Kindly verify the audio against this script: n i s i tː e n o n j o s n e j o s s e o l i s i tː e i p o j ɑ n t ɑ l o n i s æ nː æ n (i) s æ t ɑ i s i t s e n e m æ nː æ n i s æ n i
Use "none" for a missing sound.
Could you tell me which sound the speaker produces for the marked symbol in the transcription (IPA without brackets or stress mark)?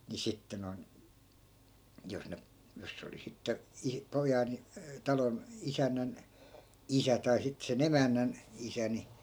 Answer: i